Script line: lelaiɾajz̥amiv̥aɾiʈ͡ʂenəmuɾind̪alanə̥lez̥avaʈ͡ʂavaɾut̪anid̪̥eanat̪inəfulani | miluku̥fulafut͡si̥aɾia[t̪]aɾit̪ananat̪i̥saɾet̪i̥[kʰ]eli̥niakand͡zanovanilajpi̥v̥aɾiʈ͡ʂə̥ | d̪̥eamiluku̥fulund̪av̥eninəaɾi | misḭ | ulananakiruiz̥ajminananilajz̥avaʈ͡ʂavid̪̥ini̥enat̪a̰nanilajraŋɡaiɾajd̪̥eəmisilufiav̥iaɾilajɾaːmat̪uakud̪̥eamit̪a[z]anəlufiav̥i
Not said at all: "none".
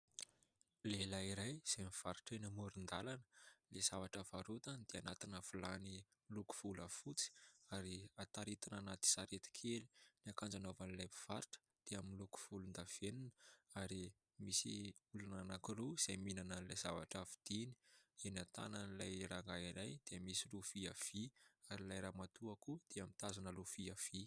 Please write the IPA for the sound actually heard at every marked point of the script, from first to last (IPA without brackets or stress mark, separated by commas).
t̪, kʰ, z